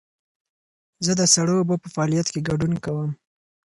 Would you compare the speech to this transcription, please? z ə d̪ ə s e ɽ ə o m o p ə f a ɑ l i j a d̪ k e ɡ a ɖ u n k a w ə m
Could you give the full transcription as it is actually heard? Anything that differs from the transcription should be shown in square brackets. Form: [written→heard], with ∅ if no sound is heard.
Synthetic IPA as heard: z ə d̪ ə s [e→a] ɽ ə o [m→b] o p ə f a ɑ l i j a [d̪→t̪] k e ɡ a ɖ u n k a w ə m